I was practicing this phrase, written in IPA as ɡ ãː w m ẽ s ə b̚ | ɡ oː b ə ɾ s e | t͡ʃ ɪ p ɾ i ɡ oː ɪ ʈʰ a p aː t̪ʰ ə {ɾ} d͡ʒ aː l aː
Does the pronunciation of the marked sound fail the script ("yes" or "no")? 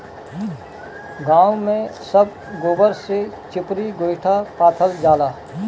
yes